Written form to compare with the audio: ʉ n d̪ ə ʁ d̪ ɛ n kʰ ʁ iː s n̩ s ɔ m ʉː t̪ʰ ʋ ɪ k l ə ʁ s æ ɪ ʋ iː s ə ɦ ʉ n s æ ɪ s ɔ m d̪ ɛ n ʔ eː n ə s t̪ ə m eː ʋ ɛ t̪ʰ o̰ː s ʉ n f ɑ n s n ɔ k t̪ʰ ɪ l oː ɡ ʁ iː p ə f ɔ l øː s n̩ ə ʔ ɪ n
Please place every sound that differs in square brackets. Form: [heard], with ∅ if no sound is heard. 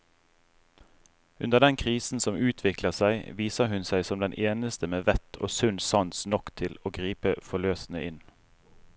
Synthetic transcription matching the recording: ʉ n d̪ ə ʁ d̪ ɛ n kʰ ʁ iː s n̩ s ɔ m ʉː t̪ʰ ʋ ɪ k l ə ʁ s æ ɪ ʋ iː s ə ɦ ʉ n s æ ɪ s ɔ m d̪ ɛ n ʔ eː n ə s t̪ ə m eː ʋ ɛ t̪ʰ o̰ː s ʉ n [s] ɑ n s n ɔ k t̪ʰ ɪ l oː ɡ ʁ iː p ə f ɔ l øː s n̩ ə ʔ ɪ n